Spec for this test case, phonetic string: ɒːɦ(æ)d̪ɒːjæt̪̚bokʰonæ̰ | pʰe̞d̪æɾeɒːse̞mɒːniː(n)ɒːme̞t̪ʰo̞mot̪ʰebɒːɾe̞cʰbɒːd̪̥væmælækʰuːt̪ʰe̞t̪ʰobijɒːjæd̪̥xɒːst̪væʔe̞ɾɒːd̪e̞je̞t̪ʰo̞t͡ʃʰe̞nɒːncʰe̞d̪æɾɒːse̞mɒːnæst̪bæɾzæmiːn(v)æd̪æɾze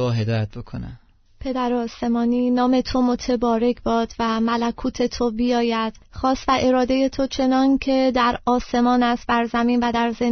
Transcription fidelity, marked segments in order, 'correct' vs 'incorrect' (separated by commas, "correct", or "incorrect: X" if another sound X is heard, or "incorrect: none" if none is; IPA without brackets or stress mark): incorrect: e, correct, correct